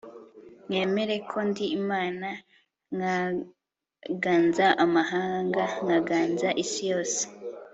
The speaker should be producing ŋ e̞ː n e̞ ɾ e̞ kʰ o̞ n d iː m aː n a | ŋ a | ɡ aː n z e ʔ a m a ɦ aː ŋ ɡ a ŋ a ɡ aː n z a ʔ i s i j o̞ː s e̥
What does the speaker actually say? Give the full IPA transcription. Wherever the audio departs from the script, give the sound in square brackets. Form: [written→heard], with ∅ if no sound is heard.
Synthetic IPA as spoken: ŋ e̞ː [n→m] e̞ ɾ e̞ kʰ o̞ n d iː m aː n a | ŋ a | ɡ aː n z [e→a] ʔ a m a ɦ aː ŋ ɡ a ŋ a ɡ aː n z a ʔ i s i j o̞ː s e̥